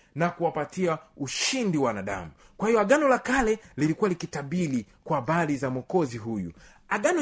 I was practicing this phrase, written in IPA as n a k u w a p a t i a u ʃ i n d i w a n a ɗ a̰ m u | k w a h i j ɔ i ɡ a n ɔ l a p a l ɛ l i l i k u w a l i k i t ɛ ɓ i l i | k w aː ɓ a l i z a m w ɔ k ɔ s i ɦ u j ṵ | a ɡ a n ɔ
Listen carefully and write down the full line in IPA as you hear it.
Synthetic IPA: n a k u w a p a t i a u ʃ i n d i w a n a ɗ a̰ m u | k w a h i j ɔ a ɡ a n ɔ l a k a l ɛ l i l i k u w a l i k i t a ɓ i l i | k w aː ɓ a l i z a m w ɔ k ɔ z i ɦ u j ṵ | a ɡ a n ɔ